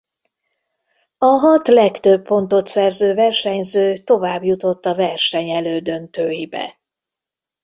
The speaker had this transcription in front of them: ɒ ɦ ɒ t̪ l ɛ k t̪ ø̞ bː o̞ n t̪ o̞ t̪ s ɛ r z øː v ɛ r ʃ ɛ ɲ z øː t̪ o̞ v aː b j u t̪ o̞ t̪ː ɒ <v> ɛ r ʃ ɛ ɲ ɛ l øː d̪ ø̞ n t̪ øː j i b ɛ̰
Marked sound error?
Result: no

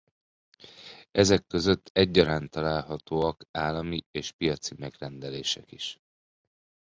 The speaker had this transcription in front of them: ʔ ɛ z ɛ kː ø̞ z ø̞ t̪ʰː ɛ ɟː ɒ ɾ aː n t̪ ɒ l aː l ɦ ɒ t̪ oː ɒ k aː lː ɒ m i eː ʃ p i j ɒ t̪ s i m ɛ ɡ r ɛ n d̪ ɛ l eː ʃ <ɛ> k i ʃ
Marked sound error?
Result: no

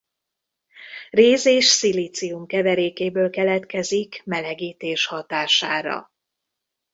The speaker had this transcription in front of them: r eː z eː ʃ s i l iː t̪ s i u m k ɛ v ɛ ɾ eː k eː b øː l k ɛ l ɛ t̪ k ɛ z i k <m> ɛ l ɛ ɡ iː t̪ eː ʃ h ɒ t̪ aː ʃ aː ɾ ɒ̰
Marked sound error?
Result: no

